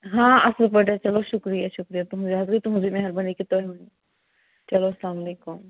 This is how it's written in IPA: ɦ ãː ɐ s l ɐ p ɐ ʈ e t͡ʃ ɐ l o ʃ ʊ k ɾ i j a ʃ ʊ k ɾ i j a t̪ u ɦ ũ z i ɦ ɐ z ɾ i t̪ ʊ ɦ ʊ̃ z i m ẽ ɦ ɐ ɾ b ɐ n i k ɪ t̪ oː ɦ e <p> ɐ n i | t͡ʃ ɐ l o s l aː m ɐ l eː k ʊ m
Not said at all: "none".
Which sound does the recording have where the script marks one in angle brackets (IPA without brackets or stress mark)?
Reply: none